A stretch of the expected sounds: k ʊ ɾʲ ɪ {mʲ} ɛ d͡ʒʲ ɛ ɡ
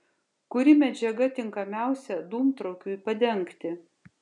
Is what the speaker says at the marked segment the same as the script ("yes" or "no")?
yes